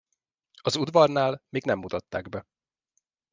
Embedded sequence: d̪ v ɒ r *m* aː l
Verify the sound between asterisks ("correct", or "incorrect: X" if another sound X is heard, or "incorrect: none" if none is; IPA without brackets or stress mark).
incorrect: n